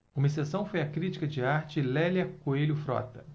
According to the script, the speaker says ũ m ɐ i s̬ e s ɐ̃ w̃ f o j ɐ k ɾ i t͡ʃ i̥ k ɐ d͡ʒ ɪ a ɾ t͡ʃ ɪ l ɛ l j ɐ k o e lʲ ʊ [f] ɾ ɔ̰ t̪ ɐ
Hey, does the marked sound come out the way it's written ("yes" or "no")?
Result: yes